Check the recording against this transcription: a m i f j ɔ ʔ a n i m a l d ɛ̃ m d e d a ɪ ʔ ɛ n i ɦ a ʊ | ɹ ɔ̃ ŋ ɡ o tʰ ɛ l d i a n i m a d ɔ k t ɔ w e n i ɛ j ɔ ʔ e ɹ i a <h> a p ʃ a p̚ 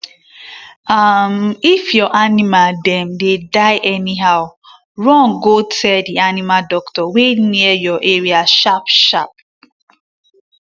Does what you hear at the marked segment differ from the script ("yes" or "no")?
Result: yes